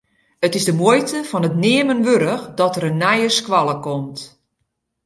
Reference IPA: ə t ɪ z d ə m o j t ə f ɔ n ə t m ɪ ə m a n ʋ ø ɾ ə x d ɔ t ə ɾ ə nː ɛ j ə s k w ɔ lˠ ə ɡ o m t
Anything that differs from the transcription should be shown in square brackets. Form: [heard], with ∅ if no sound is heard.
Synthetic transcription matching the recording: ə t ɪ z d ə m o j t ə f ɔ n ə t [n] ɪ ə m [ə] n ʋ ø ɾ ə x d ɔ t ə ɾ ə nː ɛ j ə s k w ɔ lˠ ə [k] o m t